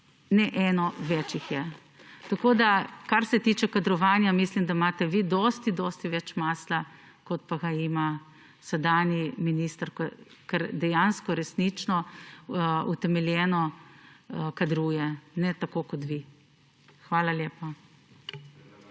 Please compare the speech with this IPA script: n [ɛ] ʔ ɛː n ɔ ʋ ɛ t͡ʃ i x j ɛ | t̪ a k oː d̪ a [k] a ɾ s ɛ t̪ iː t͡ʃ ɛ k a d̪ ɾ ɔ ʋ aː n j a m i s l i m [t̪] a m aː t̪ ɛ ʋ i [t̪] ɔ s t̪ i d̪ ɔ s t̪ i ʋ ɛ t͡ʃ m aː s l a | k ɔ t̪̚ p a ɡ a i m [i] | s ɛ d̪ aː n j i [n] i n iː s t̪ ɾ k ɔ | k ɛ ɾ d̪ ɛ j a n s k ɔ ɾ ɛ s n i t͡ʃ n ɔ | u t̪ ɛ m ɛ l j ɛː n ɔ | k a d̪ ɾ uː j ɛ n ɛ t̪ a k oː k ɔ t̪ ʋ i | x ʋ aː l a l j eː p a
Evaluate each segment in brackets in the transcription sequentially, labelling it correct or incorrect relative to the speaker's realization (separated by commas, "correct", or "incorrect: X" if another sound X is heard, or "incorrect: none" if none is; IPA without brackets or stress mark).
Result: correct, correct, incorrect: d̪, incorrect: d̪, incorrect: a, incorrect: m